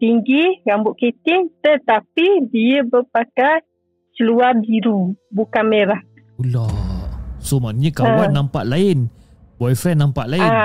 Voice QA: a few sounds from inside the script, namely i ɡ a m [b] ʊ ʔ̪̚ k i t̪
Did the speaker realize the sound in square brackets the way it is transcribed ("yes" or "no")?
yes